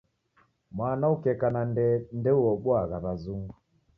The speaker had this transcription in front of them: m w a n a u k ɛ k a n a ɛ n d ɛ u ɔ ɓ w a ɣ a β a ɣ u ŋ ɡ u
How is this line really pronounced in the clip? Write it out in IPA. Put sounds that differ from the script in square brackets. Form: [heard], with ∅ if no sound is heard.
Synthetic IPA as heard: m w a n a u k ɛ k a n a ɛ n d ɛ u ɔ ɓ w a ɣ a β a [z] u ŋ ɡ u